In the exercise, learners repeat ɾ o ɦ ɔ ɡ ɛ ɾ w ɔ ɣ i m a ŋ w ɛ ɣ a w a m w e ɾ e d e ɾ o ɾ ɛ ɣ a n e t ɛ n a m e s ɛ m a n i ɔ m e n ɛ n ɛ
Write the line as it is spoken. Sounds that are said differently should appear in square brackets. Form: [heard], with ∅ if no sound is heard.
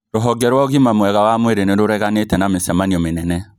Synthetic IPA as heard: ɾ o ɦ ɔ ɡ ɛ ɾ w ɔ ɣ i m a [m] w ɛ ɣ a w a m w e ɾ e [n] e ɾ o ɾ ɛ ɣ a n e t ɛ n a m e s ɛ m a n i ɔ m e n ɛ n ɛ